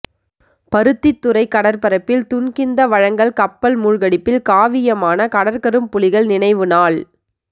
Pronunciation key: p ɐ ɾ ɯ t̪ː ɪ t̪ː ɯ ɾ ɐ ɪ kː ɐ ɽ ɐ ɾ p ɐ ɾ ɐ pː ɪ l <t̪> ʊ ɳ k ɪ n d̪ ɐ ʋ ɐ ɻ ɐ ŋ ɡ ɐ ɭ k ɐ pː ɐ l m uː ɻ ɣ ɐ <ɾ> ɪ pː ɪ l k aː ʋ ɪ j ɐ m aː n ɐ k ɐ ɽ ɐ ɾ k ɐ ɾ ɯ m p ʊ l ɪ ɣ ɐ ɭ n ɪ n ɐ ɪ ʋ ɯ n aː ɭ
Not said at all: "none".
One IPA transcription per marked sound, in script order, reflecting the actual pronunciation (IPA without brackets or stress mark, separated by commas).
t̪, ɽ